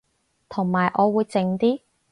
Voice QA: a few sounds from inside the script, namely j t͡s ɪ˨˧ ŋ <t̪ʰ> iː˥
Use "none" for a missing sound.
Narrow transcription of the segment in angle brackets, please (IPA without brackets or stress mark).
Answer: t̪